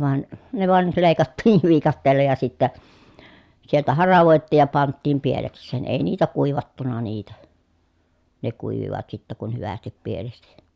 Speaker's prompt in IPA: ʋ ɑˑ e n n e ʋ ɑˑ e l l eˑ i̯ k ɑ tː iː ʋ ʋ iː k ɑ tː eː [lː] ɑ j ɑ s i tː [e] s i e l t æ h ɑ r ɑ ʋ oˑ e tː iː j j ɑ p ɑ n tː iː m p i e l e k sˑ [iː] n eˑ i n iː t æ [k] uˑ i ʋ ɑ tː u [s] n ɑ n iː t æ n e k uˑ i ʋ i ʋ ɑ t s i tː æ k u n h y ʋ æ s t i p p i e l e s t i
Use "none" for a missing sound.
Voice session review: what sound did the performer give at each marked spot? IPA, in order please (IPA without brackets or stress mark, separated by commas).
lː, æ, eː, k, none